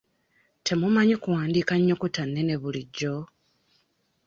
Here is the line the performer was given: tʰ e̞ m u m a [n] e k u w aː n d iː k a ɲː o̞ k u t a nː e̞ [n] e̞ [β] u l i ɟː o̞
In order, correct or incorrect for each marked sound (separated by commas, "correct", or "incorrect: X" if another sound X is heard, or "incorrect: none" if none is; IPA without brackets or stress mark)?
incorrect: ɲ, correct, correct